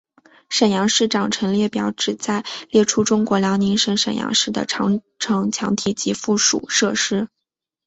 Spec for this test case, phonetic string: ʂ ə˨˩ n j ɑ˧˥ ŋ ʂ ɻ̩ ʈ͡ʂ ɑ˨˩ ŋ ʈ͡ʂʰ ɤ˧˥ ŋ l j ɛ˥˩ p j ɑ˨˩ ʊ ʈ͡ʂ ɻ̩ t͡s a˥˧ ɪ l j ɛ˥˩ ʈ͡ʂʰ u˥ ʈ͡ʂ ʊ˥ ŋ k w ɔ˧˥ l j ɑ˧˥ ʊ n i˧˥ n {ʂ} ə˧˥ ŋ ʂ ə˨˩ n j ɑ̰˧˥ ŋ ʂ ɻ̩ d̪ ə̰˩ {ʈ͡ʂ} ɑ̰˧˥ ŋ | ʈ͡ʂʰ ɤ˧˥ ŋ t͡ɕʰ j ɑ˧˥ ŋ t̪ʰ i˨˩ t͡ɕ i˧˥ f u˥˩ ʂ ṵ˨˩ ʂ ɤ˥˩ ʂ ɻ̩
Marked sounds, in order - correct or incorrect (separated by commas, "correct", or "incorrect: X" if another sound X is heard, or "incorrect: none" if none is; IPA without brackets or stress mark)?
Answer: correct, incorrect: ʈ͡ʂʰ